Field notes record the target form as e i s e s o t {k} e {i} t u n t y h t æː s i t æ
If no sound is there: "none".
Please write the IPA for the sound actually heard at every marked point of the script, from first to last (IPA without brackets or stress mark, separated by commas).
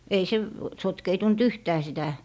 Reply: k, i